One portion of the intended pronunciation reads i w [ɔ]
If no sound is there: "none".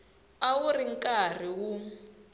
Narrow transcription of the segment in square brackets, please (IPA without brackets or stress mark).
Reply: u